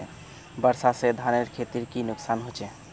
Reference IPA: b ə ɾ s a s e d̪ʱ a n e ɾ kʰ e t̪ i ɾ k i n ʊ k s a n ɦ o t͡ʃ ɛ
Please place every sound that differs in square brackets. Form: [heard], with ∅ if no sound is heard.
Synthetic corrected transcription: b ə ɾ s a s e d̪ʱ a n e ɾ kʰ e t̪ i ɾ k i n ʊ k s a n ɦ o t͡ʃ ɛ